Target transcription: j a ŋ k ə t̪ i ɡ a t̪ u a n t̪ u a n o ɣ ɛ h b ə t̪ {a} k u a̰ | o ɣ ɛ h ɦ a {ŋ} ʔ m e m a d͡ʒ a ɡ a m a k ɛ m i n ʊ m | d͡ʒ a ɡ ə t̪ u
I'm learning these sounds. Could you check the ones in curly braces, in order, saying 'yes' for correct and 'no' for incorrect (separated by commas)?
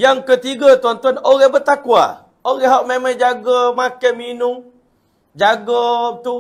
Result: yes, no